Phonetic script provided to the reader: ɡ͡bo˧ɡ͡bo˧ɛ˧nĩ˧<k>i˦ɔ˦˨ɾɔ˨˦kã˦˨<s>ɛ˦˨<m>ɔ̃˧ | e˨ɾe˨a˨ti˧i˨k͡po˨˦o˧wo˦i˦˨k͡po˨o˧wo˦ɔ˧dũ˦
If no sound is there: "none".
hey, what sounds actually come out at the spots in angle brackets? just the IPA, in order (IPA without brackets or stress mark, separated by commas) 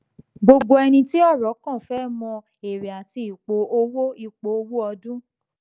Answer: t, f, m